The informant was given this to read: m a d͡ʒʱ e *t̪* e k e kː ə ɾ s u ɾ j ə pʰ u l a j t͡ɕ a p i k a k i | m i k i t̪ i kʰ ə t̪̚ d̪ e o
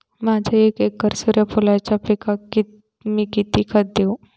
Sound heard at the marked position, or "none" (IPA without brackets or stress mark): none